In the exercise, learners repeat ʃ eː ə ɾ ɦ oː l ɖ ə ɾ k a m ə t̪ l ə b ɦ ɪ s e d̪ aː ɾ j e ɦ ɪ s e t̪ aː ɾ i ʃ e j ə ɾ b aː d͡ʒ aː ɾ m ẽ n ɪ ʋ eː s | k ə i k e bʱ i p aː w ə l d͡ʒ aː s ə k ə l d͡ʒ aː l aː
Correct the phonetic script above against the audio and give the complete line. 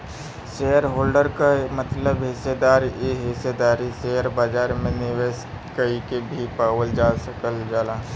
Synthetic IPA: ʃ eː ə ɾ ɦ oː l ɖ ə ɾ k a m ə t̪ l ə b ɦ ɪ s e d̪ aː ɾ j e ɦ ɪ s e d̪ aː ɾ i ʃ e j ə ɾ b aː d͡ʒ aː ɾ m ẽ n ɪ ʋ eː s | k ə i k e bʱ i p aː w ə l d͡ʒ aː s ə k ə l d͡ʒ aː l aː